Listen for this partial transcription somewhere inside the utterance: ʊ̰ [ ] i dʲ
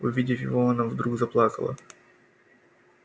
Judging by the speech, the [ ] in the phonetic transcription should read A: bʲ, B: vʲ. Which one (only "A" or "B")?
B